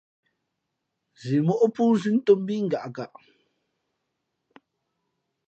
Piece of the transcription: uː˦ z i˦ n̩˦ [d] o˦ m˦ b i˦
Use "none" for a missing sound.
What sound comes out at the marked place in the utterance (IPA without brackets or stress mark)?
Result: t